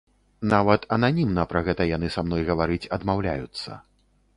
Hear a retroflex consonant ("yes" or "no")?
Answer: no